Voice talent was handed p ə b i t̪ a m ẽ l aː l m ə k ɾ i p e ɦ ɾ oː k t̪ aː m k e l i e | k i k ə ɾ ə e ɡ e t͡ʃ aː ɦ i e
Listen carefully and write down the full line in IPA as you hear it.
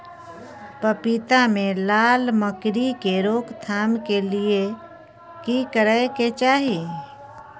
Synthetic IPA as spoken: p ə p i t̪ a m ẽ l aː l m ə k ɾ i k e ɾ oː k t̪ʰ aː m k e l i e | k i k ə ɾ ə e k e t͡ʃ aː ɦ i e